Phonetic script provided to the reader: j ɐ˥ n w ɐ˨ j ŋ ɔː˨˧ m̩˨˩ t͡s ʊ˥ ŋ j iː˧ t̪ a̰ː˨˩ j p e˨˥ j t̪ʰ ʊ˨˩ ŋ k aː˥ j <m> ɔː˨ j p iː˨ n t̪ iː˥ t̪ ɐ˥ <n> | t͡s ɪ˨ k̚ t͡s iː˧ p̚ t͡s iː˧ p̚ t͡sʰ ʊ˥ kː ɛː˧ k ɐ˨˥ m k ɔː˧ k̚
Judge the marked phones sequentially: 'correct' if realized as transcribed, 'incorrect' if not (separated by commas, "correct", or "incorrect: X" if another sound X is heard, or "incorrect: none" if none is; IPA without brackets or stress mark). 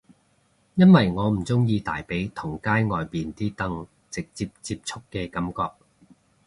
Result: incorrect: ŋ, incorrect: ŋ